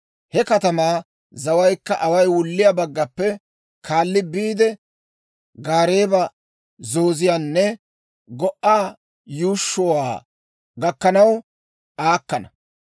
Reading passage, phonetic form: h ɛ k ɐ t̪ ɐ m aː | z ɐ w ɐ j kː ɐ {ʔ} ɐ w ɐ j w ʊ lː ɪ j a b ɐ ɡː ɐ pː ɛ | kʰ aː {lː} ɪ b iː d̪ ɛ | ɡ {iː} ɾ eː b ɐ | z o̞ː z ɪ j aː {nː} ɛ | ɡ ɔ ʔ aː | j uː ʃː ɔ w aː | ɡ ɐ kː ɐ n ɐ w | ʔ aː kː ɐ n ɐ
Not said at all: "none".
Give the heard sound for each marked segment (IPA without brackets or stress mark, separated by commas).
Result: ʔ, lː, aː, nː